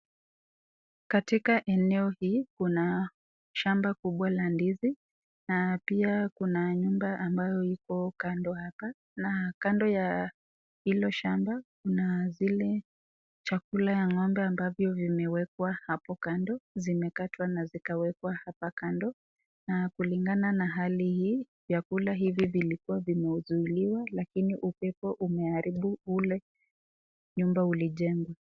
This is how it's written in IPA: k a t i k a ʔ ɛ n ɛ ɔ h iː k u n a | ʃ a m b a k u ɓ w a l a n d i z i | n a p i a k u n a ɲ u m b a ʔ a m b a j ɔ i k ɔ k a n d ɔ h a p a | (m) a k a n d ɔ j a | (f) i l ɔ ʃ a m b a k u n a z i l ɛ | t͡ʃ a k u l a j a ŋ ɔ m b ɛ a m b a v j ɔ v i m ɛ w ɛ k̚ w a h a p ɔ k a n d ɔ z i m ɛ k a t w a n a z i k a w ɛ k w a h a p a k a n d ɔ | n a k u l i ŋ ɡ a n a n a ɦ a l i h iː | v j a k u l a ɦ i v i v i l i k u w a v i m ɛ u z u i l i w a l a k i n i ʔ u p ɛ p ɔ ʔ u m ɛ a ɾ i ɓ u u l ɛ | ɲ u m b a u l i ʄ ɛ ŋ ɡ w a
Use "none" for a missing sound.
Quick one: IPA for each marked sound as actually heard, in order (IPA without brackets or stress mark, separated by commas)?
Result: n, h